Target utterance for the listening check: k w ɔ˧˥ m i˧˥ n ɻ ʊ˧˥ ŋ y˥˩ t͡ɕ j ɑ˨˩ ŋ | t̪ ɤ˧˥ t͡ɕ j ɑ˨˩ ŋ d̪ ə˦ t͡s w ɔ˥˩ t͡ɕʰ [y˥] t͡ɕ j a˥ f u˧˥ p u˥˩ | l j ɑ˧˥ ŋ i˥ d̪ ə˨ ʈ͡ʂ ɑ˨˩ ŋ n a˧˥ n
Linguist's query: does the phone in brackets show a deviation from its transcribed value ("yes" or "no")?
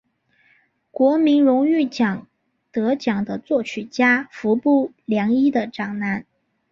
yes